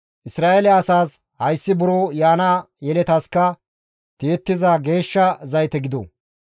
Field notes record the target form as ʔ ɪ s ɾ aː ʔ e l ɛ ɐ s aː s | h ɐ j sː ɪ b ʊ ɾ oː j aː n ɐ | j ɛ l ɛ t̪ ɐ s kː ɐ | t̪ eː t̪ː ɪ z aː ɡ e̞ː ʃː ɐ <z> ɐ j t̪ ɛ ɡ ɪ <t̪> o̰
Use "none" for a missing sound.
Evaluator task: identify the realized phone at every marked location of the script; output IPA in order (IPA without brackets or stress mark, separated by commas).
z, d̪